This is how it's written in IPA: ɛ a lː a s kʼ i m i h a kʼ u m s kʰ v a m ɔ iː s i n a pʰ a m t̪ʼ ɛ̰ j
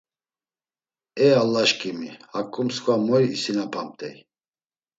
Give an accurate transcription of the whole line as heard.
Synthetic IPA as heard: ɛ a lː a ʃ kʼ i m i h a kʼ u m s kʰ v a m ɔ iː s i n a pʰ a m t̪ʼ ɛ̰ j